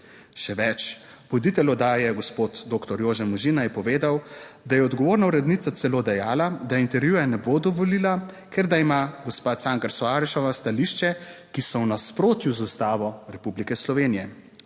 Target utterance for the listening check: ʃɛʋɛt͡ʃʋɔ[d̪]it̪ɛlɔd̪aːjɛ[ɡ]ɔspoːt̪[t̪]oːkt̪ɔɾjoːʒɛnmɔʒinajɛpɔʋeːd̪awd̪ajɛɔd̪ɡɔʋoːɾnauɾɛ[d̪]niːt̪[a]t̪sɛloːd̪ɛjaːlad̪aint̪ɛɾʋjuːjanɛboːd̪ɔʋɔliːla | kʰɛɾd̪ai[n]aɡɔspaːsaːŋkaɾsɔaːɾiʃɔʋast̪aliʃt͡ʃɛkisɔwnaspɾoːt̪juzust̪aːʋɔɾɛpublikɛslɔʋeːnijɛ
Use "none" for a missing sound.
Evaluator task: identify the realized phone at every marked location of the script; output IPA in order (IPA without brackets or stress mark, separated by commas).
d̪, ɡ, d̪, d̪, a, m